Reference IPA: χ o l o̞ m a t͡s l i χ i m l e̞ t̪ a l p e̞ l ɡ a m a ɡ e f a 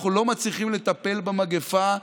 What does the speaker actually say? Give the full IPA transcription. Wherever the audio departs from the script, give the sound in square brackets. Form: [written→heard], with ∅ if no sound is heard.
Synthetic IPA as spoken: χ [o→u] l o̞ m a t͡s l i χ i m l e̞ t̪ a [l→∅] p e̞ l [ɡ→b] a m a ɡ e f a